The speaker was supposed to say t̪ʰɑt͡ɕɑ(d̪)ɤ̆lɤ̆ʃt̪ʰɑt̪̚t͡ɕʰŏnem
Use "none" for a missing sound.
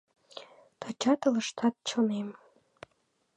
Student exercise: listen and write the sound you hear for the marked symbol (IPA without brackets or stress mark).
t̪